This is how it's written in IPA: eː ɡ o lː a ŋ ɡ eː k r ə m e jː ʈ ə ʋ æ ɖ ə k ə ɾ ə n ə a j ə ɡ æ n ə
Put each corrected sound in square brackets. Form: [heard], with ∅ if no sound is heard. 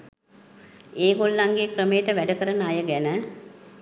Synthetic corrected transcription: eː ɡ o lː a ŋ ɡ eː k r ə m e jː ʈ ə ʋ æ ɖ ə k ə ɾ ə n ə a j ə ɡ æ n ə